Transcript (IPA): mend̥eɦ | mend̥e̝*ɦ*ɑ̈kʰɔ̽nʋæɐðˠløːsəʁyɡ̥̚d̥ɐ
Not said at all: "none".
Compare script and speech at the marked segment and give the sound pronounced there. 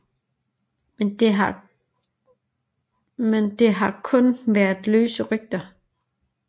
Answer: ɦ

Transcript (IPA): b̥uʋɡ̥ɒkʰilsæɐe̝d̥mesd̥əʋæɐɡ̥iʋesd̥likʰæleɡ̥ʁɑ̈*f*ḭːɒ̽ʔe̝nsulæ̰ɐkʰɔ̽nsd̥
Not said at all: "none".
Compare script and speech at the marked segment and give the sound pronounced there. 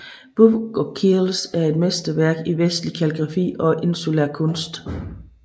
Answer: f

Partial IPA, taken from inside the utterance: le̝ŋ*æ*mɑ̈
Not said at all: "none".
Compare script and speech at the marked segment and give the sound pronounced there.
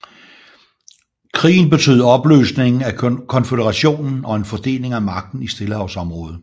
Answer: æ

